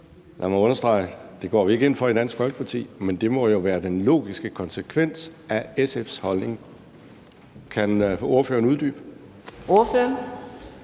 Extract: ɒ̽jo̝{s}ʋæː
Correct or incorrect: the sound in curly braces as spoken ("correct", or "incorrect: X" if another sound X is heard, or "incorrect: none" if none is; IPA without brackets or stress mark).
incorrect: none